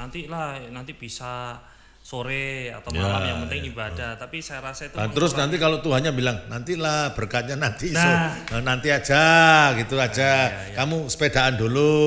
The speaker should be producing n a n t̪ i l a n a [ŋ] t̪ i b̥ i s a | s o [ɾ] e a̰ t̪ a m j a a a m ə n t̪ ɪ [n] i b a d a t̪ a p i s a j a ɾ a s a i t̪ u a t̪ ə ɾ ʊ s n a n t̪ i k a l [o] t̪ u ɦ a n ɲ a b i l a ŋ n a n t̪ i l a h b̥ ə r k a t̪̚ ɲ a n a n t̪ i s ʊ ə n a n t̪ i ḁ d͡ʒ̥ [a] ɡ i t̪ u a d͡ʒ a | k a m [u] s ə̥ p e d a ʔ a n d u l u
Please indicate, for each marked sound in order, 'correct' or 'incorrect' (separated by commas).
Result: incorrect, correct, incorrect, correct, correct, correct